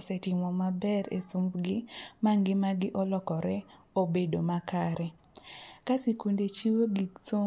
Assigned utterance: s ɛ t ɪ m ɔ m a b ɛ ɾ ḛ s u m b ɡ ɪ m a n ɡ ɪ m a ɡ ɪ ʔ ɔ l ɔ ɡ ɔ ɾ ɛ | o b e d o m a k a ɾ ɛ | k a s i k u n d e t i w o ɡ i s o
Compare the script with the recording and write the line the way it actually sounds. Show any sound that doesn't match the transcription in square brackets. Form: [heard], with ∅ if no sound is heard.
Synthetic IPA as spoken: s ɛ t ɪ m ɔ m a b ɛ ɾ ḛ s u m b ɡ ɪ m a [ŋ] ɡ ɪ m a ɡ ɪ ʔ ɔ l ɔ [k] ɔ ɾ ɛ | o b e d o m a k a ɾ ɛ | k a s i k u n d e [t͡ʃ] i w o ɡ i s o